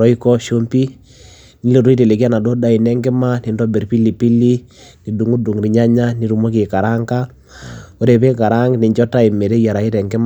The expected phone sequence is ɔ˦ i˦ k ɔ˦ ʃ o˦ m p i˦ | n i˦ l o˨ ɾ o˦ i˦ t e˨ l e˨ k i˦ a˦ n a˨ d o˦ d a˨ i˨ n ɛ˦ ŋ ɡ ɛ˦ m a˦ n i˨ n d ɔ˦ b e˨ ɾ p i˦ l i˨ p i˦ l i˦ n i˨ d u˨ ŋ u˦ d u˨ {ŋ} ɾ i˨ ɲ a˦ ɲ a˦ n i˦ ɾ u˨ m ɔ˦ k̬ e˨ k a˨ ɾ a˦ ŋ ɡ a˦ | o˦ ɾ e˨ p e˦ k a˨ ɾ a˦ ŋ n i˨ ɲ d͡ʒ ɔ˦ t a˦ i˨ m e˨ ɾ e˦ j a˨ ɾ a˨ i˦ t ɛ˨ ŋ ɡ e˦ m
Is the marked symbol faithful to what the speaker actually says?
yes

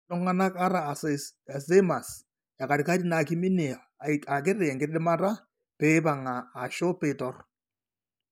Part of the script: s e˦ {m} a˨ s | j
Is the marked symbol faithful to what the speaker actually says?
yes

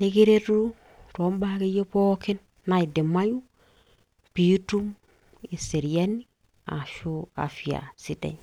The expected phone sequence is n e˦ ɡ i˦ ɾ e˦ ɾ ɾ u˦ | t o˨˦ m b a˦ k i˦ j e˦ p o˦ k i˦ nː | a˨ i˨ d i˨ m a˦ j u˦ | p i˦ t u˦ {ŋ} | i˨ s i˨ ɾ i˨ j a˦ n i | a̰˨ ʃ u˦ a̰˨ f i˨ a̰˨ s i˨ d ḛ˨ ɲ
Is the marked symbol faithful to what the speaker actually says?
no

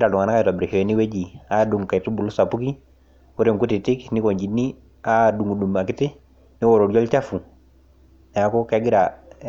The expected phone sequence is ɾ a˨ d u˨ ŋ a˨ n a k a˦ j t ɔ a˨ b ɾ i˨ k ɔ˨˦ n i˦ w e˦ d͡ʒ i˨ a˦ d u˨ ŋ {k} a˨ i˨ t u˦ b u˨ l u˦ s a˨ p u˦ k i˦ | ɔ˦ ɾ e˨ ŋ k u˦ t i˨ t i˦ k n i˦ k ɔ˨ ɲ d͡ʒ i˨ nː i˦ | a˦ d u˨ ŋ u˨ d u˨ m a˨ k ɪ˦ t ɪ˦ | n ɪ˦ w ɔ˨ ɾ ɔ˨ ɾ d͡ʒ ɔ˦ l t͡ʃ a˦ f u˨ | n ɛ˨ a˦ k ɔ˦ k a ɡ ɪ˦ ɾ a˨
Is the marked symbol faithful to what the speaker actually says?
yes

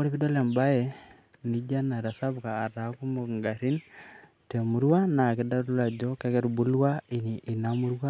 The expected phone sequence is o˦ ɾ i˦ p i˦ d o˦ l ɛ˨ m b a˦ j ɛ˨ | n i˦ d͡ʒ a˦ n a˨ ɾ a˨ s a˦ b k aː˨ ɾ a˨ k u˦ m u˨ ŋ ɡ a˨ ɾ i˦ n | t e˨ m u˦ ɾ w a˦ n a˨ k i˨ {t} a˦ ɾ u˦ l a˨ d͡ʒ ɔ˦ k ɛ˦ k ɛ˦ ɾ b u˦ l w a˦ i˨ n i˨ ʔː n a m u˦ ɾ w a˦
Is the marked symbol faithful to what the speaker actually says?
no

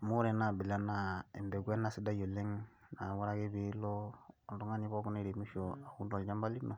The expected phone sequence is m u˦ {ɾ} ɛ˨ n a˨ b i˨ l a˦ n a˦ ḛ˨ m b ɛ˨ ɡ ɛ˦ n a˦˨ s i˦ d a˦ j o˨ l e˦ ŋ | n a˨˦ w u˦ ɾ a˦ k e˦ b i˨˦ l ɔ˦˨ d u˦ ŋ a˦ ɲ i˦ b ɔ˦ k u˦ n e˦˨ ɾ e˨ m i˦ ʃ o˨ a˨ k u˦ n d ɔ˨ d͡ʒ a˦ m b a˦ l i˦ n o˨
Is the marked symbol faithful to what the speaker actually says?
yes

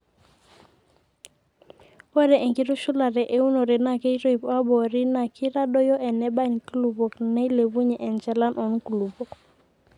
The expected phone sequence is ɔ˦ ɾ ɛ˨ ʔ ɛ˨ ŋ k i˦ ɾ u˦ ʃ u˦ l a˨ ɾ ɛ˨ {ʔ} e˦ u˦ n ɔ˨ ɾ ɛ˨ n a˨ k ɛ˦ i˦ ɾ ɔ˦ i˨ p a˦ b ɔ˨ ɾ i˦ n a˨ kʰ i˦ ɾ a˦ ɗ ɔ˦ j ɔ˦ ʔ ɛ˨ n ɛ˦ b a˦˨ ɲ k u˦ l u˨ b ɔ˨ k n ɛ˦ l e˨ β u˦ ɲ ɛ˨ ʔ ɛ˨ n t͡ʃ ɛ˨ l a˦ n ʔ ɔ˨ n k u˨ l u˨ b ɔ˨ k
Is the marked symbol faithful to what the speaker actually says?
yes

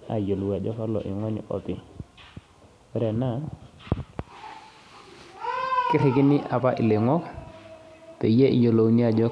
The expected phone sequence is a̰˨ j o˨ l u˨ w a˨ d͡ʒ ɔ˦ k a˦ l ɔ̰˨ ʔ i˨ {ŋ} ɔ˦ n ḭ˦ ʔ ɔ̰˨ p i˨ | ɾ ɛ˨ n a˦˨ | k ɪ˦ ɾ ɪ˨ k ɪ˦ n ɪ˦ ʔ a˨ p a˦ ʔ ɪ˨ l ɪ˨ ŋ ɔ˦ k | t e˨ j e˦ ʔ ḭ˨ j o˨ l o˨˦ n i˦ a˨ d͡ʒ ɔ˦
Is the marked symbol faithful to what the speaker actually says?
yes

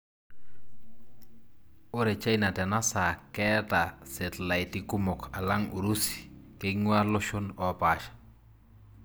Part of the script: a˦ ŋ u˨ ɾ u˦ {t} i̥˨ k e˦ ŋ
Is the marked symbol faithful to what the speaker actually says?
no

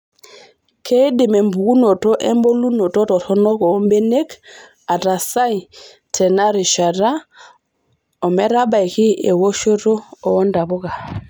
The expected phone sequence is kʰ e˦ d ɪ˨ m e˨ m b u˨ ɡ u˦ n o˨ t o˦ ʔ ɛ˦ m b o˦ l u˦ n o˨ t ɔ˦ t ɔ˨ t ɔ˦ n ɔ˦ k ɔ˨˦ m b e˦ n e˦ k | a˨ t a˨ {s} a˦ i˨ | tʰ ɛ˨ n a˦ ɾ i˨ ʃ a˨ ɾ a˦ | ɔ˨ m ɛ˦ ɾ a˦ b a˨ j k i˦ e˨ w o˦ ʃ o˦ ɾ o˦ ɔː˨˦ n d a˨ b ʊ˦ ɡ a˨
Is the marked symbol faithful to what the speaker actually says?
yes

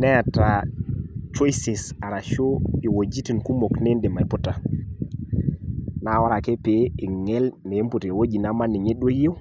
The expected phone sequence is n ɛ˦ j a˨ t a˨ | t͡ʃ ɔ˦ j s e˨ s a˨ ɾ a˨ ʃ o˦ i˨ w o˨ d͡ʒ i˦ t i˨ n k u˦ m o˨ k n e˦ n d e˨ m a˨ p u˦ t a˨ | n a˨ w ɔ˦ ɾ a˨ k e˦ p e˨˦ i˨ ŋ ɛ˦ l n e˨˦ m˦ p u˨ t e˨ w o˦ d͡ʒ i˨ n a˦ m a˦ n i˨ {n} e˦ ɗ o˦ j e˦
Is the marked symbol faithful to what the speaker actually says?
no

